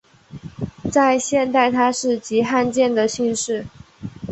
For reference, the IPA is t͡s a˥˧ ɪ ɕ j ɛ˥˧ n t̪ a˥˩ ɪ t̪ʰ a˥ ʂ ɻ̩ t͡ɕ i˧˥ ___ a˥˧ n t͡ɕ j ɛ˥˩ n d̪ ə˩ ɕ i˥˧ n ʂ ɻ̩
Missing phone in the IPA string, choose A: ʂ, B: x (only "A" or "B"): B